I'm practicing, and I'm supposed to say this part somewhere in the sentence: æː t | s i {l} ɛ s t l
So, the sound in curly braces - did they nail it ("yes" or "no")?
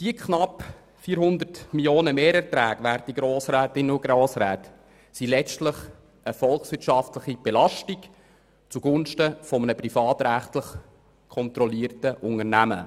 yes